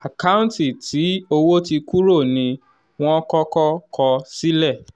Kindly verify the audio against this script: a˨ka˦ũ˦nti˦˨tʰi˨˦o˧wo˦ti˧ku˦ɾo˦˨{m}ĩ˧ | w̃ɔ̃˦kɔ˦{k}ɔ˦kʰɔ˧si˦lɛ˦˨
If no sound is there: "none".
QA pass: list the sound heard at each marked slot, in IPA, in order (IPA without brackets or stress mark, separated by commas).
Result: n, k